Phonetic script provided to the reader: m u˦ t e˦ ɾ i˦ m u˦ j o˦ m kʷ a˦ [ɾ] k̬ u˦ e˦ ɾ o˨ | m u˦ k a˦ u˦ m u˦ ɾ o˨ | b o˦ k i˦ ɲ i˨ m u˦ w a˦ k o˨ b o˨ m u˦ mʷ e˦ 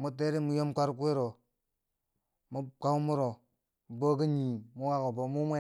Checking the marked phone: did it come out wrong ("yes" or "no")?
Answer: no